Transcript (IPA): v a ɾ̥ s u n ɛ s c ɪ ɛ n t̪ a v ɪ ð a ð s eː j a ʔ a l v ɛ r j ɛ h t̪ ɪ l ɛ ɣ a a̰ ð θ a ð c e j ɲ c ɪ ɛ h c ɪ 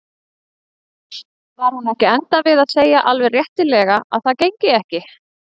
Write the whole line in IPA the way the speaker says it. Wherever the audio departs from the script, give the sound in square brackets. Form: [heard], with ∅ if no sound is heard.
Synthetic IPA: v a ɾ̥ [h] u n ɛ [h] c ɪ ɛ n t̪ a v ɪ ð a ð s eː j a ʔ a l v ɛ r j ɛ h t̪ ɪ l ɛ ɣ a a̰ ð θ a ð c e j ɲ c ɪ ɛ h c ɪ

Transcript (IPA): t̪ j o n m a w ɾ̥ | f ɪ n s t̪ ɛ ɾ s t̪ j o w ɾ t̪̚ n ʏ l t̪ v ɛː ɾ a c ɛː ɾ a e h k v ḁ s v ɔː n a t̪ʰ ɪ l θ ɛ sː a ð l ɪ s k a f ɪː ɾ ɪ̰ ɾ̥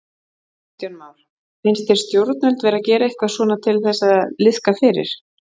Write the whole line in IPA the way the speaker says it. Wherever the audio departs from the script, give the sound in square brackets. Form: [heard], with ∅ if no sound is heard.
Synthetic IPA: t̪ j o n m a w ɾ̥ | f ɪ n s t̪ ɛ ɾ s t̪ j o w ɾ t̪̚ n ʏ l t̪ v ɛː ɾ a c ɛː ɾ a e h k v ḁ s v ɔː n a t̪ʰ ɪ l θ ɛ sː a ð l ɪ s k a f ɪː ɾ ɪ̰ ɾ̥

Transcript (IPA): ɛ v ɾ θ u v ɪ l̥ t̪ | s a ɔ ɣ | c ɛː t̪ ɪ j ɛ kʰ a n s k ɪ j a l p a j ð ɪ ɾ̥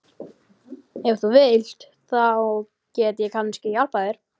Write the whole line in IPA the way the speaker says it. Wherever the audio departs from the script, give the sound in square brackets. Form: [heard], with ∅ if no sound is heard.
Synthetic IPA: ɛ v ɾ θ u v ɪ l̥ t̪ | [θ] a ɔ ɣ | c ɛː t̪ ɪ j ɛ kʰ a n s [c] ɪ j a l p a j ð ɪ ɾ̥

